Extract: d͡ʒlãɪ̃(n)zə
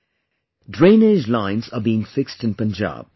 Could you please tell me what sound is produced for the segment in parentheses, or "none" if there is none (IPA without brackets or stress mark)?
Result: n